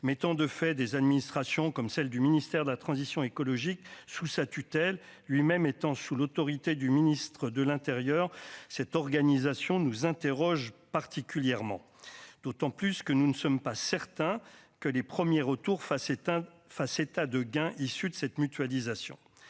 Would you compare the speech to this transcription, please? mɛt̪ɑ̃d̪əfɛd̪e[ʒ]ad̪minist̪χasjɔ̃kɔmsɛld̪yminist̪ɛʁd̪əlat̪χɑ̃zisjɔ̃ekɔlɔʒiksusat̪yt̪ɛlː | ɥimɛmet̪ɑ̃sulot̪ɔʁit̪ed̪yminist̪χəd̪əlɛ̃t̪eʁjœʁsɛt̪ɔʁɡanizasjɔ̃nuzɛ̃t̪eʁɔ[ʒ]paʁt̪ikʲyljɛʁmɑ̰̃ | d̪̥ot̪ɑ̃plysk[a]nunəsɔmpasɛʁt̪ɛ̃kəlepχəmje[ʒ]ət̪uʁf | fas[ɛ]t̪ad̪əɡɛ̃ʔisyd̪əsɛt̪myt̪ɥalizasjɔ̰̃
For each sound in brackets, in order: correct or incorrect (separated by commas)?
incorrect, correct, incorrect, incorrect, incorrect